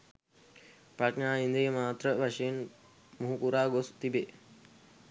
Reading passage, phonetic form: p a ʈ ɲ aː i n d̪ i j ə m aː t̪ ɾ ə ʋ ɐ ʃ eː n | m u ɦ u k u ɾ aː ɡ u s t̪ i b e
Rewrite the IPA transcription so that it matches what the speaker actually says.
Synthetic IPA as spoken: p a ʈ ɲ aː i n d̪ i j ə m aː t̪ ɾ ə ʋ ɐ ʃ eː n | m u ɦ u k u ɾ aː ɡ o s t̪ i b e

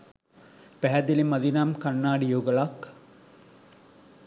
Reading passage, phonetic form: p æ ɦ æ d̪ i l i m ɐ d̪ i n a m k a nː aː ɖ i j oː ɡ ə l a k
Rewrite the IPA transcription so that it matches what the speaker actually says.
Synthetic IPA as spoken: p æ ɦ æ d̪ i l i m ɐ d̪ i n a m k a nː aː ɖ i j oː ɡ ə l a k

